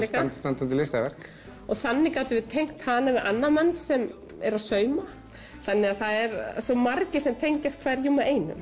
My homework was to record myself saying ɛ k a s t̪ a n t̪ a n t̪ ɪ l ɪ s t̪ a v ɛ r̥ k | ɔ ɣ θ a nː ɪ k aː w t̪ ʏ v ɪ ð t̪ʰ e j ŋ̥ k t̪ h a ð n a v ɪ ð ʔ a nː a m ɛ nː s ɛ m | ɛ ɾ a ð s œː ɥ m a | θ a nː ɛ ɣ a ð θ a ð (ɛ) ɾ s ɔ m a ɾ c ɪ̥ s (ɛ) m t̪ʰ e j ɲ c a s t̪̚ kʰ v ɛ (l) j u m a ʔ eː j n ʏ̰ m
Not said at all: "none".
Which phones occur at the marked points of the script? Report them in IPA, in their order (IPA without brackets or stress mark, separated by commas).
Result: ɛ, ɛ, ɾ